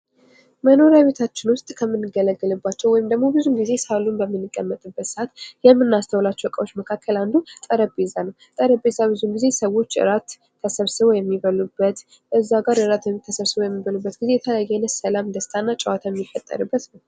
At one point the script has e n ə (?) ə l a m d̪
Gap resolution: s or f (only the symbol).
s